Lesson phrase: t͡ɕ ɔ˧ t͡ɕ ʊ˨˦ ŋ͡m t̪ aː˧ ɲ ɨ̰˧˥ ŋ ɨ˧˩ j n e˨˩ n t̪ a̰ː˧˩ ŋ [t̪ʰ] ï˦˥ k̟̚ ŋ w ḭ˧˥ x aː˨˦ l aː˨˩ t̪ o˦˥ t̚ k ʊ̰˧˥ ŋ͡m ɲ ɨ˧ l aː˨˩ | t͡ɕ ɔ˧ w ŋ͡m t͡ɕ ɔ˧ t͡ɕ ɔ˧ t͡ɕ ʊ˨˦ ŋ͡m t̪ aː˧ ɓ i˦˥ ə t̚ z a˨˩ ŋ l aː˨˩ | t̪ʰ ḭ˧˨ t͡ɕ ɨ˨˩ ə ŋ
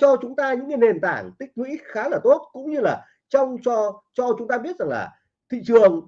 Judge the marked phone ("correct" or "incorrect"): incorrect